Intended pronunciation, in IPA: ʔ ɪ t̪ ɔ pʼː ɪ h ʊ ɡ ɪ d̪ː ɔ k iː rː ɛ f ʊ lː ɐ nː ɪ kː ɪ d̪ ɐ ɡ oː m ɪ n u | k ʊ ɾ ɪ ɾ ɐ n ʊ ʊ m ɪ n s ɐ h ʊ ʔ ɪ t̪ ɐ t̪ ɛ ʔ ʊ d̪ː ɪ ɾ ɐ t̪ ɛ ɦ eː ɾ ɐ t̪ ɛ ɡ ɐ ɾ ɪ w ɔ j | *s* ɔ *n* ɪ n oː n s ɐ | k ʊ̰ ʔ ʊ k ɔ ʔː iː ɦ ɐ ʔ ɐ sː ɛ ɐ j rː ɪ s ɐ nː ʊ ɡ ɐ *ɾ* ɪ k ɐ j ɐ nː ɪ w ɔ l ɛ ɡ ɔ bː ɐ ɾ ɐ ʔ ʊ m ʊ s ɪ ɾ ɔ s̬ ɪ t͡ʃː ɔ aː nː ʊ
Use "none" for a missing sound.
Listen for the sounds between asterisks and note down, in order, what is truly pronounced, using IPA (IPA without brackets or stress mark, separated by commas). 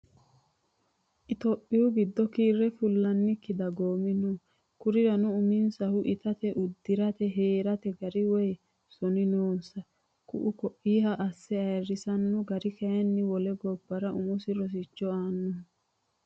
s, n, ɾ